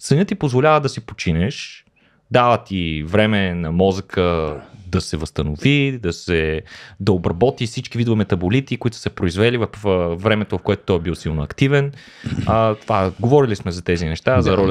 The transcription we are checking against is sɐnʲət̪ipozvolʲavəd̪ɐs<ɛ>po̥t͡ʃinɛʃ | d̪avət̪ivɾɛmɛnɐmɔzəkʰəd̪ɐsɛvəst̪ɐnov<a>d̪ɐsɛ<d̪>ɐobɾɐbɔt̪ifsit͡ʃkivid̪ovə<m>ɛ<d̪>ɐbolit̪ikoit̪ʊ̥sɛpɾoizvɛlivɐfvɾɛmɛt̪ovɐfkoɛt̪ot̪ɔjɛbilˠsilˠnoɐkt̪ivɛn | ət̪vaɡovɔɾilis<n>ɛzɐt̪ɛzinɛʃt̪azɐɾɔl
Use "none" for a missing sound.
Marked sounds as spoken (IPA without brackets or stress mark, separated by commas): i, i, d̪, m, t̪, m